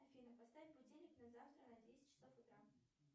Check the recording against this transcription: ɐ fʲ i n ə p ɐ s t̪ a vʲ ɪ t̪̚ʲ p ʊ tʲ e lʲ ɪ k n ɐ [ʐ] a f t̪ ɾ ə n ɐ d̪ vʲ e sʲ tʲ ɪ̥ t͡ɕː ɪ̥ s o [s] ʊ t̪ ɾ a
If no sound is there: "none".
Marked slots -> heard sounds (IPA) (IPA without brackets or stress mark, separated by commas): z, f